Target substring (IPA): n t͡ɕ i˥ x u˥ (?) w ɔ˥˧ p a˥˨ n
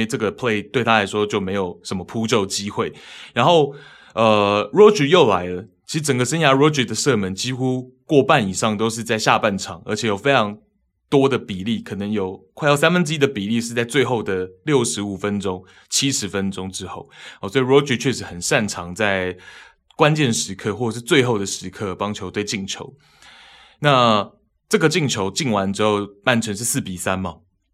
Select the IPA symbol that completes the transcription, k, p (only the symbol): k